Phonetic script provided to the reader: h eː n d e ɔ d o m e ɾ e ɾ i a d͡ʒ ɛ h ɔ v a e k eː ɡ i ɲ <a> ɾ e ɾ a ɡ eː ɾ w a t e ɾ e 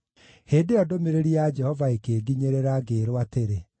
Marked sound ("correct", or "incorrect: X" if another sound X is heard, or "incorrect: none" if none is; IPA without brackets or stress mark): incorrect: e